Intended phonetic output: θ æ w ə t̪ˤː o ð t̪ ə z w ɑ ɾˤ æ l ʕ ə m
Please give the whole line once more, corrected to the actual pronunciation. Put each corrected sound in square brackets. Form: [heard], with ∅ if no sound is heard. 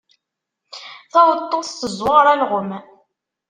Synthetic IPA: θ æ w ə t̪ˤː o [θ] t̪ ə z w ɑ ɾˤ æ l [ʁ] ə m